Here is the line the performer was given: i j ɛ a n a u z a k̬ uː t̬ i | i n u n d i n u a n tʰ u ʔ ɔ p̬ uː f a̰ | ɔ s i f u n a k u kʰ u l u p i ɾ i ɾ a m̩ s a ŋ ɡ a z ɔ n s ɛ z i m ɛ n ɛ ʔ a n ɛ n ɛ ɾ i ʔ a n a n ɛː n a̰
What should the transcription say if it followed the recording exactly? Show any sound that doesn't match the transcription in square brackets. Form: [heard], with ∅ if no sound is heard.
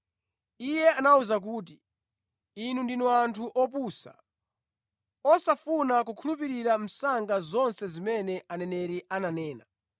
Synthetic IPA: i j ɛ a n a u z a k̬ uː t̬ i | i n u n d i n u a n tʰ u ʔ ɔ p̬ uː [s] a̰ | ɔ s [a] f u n a k u kʰ u l u p i ɾ i ɾ a m̩ s a ŋ ɡ a z ɔ n s ɛ z i m ɛ n ɛ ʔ a n ɛ n ɛ ɾ i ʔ a n a n ɛː n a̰